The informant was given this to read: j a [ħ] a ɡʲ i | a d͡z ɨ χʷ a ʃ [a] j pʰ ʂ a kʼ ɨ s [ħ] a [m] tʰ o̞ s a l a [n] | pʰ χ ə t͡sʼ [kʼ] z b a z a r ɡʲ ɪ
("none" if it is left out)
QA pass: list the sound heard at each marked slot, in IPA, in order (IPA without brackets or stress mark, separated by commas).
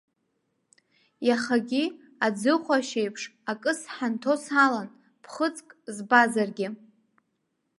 χ, e, ħ, n, n, kʼ